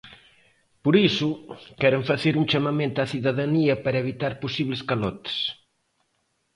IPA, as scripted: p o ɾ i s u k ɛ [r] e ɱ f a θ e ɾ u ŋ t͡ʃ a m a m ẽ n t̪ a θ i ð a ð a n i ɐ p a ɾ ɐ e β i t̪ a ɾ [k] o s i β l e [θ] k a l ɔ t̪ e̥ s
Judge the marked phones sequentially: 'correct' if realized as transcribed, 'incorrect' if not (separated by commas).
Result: incorrect, incorrect, incorrect